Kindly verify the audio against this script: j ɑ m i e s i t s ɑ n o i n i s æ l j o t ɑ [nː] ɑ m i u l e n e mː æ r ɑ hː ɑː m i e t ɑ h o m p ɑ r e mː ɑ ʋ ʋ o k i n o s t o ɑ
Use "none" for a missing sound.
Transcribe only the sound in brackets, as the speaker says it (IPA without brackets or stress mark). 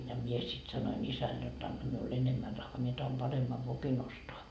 nː